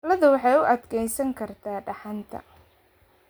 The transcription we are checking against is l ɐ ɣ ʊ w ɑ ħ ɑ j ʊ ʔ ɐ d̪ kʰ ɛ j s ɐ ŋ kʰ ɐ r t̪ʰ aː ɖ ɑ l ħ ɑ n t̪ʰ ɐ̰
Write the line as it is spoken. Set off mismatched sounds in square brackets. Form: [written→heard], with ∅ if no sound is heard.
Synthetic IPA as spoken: l ɐ [ɣ→ð] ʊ w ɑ ħ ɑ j ʊ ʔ ɐ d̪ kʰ ɛ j s ɐ ŋ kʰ ɐ r t̪ʰ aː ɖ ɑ [l→∅] ħ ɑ n t̪ʰ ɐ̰